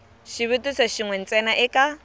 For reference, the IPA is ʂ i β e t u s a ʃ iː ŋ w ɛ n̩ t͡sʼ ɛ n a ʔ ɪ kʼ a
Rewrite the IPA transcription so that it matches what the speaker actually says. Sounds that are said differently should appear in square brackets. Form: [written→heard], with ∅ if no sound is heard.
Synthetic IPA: [ʂ→ʃ] i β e t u s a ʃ [iː→i] ŋ w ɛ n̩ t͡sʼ ɛ n a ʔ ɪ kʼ a